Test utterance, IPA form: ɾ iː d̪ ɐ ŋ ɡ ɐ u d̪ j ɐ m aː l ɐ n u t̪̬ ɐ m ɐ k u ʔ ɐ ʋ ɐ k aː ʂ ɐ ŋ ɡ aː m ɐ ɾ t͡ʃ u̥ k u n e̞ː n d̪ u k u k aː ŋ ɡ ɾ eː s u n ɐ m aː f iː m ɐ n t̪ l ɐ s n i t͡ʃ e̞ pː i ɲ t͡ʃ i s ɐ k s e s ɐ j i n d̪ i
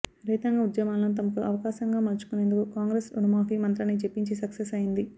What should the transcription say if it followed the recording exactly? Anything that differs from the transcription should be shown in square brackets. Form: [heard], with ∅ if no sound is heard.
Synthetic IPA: ɾ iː [t̪] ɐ ŋ ɡ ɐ u d̪ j ɐ m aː l ɐ n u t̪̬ ɐ m ɐ k u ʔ ɐ ʋ ɐ k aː [ʃ] ɐ ŋ ɡ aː m ɐ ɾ t͡ʃ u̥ k u n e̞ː n d̪ u k u k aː ŋ ɡ ɾ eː s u n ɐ m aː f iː m ɐ n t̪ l ɐ [∅] n i t͡ʃ e̞ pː i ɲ t͡ʃ i s ɐ k s e s ɐ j i n d̪ i